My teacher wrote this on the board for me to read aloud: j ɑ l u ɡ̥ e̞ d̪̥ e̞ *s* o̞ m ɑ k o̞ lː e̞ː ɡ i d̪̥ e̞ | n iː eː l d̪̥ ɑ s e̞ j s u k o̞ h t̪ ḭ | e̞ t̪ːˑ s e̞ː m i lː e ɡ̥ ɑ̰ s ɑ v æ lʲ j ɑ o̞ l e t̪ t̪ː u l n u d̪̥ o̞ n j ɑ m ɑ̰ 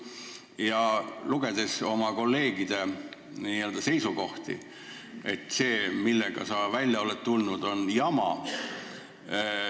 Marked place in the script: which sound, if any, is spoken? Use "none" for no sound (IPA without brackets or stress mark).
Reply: s